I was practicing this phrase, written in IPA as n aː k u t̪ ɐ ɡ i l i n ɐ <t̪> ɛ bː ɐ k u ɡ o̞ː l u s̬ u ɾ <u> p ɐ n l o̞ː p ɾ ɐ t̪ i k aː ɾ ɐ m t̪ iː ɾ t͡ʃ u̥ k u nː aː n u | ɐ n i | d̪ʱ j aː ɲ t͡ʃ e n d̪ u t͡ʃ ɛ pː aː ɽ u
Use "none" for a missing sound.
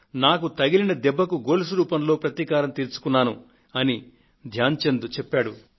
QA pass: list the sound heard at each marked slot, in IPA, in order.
d̪, uː

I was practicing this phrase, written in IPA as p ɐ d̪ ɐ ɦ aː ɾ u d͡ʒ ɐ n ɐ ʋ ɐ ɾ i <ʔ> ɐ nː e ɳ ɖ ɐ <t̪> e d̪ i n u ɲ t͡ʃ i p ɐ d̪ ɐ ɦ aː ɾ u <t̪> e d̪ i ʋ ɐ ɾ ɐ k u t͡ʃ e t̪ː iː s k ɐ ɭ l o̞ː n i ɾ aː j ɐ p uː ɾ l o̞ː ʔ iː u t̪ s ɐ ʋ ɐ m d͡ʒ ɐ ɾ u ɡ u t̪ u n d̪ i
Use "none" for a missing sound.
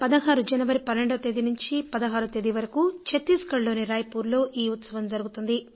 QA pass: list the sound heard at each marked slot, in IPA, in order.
p, t̪, t̪

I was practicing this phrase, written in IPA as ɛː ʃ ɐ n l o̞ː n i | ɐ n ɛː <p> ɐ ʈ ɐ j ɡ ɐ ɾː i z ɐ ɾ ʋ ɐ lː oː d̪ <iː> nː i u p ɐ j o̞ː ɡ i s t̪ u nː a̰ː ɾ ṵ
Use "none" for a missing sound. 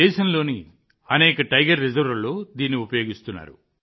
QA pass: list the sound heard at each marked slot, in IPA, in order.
k, iː

